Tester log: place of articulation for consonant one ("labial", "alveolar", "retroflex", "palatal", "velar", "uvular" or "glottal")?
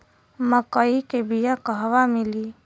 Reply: labial